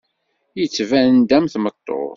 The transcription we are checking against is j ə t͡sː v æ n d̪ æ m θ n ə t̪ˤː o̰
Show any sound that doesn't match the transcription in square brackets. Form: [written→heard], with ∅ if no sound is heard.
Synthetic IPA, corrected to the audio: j ə t͡sː v æ n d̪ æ m θ [n→m] ə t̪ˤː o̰